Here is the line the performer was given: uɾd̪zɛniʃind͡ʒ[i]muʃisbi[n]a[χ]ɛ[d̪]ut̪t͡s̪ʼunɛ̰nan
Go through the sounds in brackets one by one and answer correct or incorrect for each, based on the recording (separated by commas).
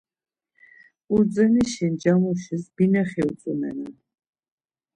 incorrect, correct, correct, incorrect